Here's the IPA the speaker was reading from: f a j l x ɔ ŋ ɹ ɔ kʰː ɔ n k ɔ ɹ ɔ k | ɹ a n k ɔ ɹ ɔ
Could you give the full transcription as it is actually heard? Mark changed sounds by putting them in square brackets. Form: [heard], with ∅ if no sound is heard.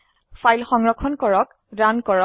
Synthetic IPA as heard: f a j l x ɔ ŋ ɹ ɔ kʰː ɔ n k ɔ ɹ ɔ k | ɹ a n k ɔ ɹ ɔ